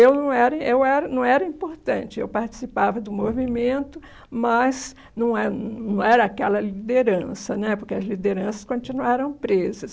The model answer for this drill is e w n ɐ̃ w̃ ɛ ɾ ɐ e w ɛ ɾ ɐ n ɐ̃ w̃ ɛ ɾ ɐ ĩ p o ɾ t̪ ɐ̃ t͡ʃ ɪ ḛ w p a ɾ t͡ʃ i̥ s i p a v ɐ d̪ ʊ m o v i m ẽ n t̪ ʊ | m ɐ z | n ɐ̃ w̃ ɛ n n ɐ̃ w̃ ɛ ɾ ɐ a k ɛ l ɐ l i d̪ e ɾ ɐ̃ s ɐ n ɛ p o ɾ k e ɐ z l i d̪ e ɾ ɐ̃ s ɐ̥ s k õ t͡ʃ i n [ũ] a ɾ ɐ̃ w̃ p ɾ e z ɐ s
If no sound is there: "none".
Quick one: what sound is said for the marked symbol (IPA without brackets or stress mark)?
u